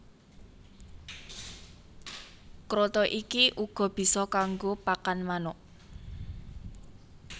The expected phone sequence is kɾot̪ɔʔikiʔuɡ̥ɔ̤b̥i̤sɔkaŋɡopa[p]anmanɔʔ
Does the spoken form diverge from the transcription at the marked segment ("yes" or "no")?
yes